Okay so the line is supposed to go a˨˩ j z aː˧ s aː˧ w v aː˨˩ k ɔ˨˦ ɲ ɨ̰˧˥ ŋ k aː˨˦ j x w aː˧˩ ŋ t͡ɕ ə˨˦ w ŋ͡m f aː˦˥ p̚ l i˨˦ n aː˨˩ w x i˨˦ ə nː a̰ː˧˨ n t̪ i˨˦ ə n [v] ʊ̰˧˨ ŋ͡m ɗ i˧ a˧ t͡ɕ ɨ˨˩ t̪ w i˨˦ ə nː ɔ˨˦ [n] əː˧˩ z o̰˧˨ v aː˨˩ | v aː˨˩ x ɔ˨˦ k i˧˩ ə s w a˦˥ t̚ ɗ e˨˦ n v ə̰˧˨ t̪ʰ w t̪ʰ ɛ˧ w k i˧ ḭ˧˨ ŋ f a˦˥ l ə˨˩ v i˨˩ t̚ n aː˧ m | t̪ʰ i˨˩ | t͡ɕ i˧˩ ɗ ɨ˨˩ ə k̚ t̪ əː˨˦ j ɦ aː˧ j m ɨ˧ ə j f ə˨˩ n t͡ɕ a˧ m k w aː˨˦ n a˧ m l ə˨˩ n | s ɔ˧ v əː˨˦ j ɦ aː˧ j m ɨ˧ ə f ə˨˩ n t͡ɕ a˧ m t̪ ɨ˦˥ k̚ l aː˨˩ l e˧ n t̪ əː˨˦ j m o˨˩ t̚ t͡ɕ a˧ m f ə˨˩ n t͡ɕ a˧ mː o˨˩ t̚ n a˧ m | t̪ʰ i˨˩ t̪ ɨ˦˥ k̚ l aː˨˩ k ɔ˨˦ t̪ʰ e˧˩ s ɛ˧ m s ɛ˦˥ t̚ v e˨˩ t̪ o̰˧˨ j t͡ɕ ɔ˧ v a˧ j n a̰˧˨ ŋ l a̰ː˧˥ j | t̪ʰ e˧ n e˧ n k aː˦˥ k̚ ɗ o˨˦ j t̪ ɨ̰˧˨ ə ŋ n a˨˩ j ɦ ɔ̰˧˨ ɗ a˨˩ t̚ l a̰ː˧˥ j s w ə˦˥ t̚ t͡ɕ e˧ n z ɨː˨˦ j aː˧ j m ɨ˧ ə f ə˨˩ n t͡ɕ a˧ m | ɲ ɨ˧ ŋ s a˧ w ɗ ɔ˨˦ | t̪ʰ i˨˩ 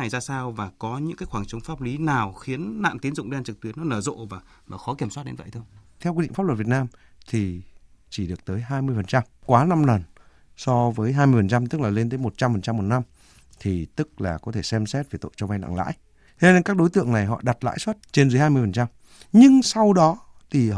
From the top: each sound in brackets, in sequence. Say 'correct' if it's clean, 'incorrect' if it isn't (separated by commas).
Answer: incorrect, correct